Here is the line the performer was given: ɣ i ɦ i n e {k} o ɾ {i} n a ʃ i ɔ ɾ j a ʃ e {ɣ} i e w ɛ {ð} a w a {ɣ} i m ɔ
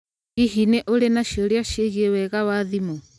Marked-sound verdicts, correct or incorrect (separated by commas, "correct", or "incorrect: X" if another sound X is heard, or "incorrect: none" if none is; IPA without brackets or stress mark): incorrect: ʔ, incorrect: e, correct, incorrect: ɣ, incorrect: ð